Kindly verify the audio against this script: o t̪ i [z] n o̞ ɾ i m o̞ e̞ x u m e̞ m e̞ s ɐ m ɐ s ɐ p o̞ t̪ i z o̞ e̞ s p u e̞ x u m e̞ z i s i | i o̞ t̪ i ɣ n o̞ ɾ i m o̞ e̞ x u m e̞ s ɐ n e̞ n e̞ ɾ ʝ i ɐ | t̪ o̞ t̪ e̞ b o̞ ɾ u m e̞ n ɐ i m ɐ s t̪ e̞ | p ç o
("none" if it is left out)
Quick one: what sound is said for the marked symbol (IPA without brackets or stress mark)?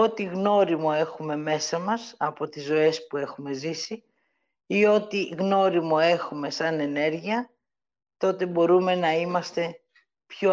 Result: ɣ